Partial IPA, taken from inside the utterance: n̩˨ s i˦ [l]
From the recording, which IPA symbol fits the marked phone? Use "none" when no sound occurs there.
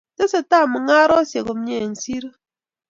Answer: ɾ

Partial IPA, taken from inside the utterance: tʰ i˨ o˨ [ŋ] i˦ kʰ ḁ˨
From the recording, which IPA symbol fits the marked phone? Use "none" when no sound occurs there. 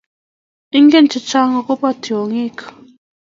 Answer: ŋ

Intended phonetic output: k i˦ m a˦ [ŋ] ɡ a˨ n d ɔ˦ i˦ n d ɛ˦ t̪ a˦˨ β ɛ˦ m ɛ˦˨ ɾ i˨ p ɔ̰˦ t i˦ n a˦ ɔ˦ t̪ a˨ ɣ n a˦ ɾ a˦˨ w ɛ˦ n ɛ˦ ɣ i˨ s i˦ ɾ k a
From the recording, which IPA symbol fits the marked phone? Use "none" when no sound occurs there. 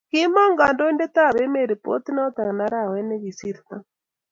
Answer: ŋ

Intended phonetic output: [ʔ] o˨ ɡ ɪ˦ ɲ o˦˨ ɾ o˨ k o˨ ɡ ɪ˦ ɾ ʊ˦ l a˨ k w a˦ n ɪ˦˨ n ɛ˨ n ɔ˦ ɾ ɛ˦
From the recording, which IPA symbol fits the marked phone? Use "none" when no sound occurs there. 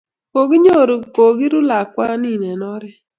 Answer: k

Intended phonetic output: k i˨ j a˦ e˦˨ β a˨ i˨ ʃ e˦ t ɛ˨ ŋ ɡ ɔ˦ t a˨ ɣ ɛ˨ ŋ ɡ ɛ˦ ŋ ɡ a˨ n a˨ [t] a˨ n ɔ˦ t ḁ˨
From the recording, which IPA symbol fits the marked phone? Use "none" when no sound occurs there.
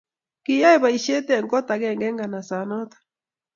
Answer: s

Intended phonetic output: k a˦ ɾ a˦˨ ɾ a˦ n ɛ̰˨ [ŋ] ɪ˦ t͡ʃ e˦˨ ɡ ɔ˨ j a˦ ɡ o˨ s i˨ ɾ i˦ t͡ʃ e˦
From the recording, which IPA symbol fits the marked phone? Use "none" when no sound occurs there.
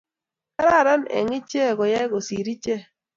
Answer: ŋ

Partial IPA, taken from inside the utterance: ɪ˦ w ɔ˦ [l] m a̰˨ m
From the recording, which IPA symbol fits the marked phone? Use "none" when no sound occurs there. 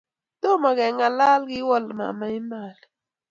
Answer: l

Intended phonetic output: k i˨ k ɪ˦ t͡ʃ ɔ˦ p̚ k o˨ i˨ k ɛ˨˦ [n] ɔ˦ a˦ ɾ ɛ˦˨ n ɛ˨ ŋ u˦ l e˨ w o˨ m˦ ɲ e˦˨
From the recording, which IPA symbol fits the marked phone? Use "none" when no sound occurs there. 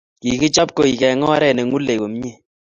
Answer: ŋ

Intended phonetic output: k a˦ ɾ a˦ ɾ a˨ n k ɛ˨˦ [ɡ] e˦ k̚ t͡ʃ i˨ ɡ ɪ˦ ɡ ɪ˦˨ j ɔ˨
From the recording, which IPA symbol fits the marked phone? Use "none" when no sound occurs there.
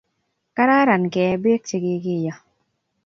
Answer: b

